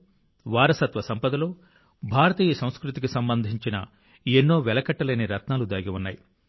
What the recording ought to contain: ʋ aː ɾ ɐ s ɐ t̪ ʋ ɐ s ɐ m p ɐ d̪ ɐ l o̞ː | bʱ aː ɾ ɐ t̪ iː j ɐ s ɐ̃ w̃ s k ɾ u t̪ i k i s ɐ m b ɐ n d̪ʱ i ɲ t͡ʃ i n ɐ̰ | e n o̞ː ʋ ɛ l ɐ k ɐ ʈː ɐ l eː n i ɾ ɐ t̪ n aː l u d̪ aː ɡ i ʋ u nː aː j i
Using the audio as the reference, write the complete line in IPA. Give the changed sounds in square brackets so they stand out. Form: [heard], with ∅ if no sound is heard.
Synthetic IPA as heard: ʋ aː ɾ ɐ s ɐ t̪ ʋ ɐ s ɐ m p ɐ d̪ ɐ l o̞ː | bʱ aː ɾ ɐ t̪ iː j ɐ s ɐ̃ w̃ s k ɾ u t̪ i k i s ɐ m b ɐ n d̪ʱ i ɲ t͡ʃ i n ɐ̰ | e [nː] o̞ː ʋ ɛ l ɐ k ɐ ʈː ɐ l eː n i ɾ ɐ t̪ n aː l u d̪ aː ɡ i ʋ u nː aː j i